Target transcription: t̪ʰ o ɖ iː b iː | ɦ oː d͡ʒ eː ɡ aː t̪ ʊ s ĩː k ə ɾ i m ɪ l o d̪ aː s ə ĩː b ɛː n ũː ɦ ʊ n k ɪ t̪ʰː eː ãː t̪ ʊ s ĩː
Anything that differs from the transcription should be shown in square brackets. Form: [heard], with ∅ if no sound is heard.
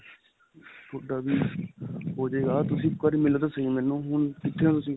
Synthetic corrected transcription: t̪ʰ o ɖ [aː] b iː | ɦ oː d͡ʒ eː ɡ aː t̪ ʊ s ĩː k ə ɾ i m ɪ l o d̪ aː s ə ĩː [m] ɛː n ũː ɦ ʊ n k ɪ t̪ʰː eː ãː t̪ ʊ s ĩː